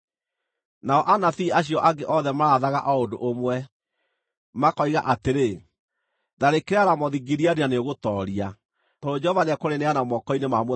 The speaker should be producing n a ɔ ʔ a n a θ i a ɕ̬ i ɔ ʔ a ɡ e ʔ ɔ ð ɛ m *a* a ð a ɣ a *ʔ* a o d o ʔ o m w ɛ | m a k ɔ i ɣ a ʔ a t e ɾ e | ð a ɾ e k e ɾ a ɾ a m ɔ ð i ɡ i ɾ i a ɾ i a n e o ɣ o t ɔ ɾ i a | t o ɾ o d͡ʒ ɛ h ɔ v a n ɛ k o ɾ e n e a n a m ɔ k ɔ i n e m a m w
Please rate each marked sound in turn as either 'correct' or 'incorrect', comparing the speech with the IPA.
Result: correct, correct

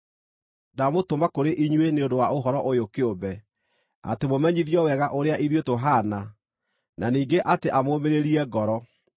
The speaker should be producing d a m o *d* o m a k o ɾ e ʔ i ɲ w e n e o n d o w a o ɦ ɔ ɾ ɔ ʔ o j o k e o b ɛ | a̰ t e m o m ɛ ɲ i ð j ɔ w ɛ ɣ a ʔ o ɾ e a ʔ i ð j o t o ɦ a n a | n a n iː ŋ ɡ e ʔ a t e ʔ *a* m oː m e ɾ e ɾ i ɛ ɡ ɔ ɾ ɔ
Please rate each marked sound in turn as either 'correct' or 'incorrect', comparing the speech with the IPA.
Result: incorrect: t, correct

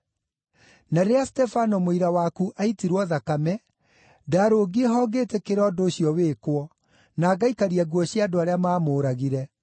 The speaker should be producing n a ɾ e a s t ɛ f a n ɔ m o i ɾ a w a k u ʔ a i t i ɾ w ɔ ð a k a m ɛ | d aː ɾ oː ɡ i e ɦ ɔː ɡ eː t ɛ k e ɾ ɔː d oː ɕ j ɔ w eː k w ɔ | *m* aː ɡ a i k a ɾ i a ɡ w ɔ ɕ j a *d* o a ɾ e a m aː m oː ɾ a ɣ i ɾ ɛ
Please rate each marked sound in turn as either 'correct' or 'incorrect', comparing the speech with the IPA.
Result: incorrect: n, correct

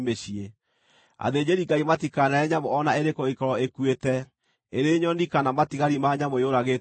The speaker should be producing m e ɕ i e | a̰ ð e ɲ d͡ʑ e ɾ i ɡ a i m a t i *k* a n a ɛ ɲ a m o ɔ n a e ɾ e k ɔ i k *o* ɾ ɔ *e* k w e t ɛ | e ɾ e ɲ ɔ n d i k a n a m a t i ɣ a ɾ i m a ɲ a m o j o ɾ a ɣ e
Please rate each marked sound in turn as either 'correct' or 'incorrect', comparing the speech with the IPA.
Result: correct, incorrect: ɔ, correct

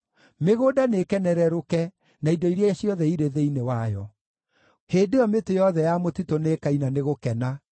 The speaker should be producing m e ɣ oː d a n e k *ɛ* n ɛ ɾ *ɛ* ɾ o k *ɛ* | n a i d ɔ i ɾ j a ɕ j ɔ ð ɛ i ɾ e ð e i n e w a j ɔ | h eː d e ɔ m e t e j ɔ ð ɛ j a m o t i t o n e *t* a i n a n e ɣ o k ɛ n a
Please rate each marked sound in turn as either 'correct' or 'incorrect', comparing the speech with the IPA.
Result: correct, correct, correct, incorrect: k

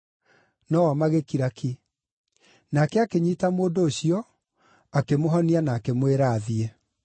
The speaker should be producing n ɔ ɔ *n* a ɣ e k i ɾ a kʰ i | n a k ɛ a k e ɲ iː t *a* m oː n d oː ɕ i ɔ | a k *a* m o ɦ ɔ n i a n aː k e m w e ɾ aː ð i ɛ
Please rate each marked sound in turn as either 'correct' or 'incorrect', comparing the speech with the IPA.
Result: incorrect: m, correct, incorrect: e

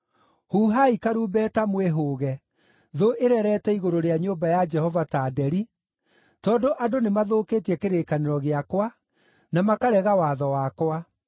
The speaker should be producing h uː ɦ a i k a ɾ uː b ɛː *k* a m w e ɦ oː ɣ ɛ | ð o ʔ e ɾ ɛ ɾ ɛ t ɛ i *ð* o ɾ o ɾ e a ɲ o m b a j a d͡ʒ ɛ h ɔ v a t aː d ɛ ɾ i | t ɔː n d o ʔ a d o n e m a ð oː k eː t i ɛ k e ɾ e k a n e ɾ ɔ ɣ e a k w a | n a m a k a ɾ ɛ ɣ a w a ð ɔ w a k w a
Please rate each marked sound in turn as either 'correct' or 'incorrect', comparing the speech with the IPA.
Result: incorrect: t, incorrect: ɣ

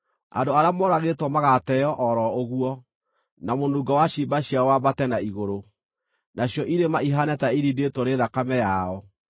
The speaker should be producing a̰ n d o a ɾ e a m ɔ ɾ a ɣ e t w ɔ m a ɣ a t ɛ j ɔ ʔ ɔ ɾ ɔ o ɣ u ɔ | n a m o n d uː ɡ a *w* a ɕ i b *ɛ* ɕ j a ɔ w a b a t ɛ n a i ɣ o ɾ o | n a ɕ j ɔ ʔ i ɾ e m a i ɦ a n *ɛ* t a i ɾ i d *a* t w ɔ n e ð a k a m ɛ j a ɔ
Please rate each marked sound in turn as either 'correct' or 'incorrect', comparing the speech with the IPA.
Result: correct, incorrect: a, correct, incorrect: e

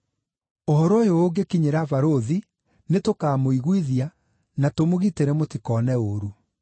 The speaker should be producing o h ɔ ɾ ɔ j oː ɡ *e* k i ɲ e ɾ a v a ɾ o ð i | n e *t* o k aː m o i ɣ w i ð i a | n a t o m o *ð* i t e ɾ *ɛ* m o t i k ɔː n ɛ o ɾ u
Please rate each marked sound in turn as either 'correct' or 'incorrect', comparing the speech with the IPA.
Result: correct, correct, incorrect: ɣ, correct

